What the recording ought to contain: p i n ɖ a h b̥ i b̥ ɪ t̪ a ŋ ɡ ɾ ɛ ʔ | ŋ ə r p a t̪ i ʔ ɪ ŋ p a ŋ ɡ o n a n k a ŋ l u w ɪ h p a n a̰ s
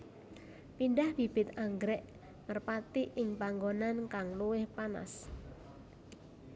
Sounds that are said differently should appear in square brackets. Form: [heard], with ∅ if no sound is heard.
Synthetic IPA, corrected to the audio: p i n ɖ a h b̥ i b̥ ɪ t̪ a ŋ ɡ ɾ ɛ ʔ | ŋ ə r p a t̪ i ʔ ɪ ŋ p a ŋ ɡ o n a n k a ŋ l u w ɪ h p a n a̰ s